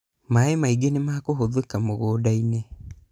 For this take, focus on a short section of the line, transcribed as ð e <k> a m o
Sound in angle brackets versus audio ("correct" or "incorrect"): correct